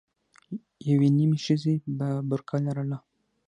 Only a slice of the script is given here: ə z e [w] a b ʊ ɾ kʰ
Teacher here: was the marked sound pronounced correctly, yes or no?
no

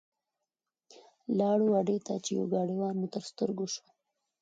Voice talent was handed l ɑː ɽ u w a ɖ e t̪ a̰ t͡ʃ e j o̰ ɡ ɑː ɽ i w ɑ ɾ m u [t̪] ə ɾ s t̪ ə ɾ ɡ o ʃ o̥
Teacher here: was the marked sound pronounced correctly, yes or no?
yes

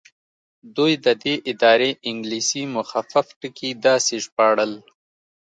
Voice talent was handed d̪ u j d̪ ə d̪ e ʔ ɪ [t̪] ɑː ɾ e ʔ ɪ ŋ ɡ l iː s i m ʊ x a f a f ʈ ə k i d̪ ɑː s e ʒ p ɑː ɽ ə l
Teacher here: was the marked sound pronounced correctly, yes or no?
no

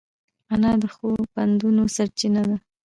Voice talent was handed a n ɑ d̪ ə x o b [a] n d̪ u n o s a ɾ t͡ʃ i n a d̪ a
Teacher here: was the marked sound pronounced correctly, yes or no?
yes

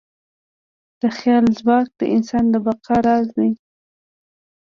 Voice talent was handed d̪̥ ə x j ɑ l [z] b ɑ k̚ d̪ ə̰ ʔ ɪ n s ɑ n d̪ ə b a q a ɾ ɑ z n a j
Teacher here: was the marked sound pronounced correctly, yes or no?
yes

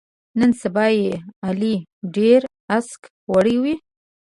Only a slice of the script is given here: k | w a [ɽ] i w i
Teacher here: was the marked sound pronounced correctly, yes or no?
yes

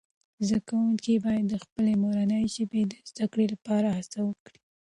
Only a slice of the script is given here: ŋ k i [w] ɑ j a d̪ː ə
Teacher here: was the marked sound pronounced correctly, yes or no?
no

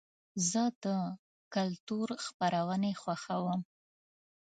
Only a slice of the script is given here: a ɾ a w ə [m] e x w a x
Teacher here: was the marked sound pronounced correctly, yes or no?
no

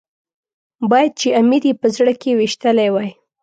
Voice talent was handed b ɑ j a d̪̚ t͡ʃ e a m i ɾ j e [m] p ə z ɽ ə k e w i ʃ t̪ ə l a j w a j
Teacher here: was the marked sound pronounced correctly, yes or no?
no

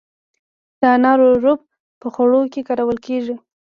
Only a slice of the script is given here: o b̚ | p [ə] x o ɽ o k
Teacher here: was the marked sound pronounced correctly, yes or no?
yes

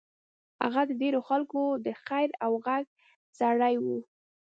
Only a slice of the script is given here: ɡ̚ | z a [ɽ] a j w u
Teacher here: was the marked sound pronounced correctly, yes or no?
yes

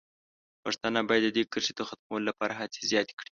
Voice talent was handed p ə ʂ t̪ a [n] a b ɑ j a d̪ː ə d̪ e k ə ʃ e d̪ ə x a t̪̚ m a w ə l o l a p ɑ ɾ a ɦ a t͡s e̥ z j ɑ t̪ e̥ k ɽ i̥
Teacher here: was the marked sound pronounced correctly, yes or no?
yes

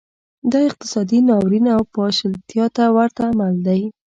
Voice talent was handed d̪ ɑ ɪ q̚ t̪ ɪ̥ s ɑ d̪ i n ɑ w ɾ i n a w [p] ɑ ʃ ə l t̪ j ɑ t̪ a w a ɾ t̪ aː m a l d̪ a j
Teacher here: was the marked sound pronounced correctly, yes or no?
yes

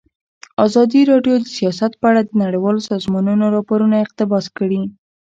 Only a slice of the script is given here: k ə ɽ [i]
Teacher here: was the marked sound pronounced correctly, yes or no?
yes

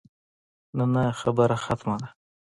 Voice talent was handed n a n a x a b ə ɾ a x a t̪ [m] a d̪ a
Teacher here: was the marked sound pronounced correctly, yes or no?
yes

